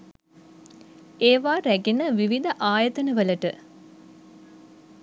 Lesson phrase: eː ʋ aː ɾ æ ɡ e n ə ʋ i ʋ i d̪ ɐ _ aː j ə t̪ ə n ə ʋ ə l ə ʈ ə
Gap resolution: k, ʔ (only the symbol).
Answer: ʔ